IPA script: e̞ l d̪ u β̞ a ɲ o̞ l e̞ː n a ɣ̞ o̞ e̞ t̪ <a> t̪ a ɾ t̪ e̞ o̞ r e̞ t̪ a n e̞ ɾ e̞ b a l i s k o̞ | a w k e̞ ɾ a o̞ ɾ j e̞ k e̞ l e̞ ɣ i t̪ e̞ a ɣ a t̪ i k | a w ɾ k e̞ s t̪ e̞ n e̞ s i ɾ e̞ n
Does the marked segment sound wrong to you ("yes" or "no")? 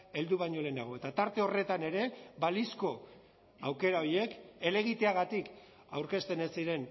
no